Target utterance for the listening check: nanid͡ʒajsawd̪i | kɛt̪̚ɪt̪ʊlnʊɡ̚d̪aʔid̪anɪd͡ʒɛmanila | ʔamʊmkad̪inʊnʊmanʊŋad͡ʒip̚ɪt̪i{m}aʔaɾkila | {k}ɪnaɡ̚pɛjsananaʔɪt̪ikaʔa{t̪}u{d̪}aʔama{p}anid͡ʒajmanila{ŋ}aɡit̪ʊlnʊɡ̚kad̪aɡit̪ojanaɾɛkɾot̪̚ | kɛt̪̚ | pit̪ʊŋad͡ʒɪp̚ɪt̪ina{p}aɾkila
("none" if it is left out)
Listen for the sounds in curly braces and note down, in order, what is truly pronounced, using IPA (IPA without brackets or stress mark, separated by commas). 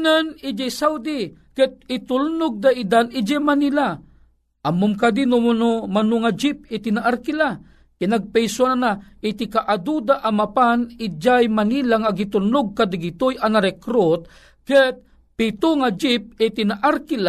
n, k, d̪, d̪, p, ŋ, ʔ